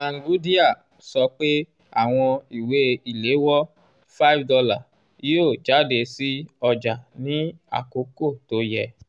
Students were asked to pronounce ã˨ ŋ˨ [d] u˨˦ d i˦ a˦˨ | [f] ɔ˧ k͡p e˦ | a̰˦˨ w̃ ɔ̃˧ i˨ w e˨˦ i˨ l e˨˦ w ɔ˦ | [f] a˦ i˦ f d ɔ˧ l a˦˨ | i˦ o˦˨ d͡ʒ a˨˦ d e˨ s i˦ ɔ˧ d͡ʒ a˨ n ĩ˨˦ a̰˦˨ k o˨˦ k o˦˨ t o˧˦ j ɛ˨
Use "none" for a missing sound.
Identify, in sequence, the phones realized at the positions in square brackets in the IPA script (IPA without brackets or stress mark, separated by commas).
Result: ɡ, s, f